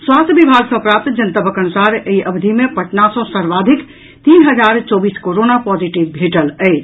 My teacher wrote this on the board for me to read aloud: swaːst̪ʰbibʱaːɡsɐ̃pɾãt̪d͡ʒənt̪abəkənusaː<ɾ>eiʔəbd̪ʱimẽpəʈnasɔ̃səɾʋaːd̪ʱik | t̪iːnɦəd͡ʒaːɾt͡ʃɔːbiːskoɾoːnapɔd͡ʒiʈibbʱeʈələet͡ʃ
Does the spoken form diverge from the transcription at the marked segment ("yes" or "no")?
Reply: no